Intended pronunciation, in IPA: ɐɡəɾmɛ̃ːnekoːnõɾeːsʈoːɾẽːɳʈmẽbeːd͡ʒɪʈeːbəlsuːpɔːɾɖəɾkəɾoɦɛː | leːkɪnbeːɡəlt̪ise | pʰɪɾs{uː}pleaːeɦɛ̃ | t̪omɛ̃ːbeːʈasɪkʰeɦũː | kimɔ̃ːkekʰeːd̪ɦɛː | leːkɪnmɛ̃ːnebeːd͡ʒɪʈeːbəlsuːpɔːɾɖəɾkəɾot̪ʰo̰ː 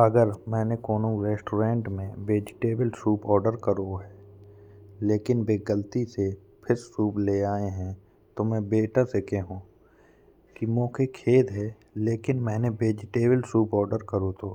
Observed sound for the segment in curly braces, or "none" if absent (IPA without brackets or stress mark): uː